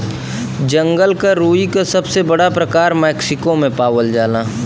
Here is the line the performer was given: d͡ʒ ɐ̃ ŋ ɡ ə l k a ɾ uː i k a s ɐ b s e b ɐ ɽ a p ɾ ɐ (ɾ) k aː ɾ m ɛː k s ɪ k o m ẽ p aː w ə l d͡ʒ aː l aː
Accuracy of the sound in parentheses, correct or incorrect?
incorrect